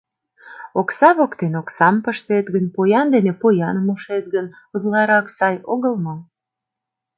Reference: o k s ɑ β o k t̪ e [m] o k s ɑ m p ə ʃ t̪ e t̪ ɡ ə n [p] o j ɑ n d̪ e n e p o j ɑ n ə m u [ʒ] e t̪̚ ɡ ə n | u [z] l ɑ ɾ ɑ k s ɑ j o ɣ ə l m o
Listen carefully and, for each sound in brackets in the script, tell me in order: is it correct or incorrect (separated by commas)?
incorrect, correct, incorrect, correct